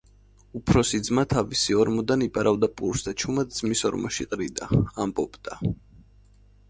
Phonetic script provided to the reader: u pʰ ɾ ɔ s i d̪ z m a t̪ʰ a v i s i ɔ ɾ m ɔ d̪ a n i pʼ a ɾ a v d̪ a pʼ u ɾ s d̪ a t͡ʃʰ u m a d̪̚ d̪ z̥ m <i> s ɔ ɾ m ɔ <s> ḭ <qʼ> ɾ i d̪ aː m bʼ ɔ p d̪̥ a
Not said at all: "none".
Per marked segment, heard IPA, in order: i, ʃ, qʼ

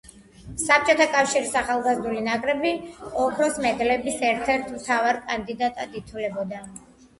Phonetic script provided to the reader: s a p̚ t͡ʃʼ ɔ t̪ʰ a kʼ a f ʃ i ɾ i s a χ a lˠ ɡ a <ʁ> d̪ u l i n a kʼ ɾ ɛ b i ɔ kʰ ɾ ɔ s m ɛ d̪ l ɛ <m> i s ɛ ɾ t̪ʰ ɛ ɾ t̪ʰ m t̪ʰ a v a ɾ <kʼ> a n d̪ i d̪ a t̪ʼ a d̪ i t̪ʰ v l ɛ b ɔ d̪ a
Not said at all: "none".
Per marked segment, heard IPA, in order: z, b, kʼ

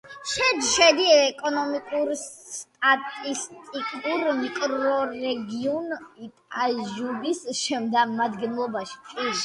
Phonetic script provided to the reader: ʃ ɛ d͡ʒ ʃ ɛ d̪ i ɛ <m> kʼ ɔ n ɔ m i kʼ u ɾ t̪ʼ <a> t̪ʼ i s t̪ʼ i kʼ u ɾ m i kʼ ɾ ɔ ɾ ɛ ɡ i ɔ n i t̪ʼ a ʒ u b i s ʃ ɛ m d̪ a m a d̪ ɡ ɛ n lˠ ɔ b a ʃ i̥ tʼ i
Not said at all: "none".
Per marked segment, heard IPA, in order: none, a

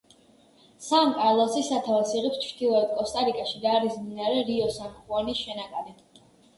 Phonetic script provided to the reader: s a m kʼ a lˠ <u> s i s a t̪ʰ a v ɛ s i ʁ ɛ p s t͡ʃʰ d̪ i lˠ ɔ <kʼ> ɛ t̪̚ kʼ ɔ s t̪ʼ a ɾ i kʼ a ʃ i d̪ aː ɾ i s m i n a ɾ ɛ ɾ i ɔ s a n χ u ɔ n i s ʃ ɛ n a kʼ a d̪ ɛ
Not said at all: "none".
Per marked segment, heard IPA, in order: ɔ, none

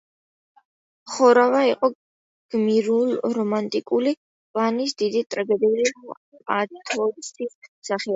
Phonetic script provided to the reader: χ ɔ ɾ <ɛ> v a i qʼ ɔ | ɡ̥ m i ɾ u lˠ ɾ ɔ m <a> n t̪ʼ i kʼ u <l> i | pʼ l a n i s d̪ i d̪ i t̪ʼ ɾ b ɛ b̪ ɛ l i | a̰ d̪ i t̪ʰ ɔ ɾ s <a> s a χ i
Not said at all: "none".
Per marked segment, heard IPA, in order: a, a, l, i

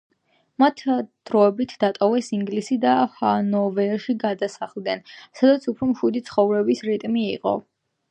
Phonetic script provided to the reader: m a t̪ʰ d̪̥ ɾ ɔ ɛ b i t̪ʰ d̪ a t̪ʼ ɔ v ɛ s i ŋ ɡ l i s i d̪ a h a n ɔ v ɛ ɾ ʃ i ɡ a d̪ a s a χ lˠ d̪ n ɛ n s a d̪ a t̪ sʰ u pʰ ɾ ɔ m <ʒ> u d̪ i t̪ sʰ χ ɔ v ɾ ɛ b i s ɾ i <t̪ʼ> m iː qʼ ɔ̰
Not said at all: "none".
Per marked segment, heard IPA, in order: ʃ, t̪ʼ

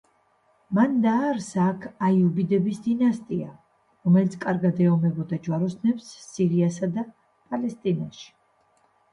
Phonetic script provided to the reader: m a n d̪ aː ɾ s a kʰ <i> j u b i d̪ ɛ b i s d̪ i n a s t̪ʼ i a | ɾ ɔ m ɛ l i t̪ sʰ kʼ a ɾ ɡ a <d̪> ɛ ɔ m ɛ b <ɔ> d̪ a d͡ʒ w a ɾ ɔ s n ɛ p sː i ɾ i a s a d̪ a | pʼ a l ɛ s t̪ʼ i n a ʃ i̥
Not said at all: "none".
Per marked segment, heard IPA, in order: a, d̪, ɔ

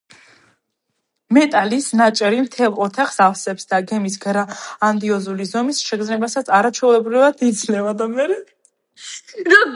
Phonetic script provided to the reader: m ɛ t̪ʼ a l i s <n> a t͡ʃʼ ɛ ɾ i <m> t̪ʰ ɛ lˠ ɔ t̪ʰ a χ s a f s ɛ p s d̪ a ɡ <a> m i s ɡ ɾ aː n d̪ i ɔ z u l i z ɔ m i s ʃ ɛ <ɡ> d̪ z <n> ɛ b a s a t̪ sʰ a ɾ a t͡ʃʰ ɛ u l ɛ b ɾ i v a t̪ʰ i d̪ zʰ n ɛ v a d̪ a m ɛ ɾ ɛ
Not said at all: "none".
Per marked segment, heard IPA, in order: n, m, ɛ, ɡ, n

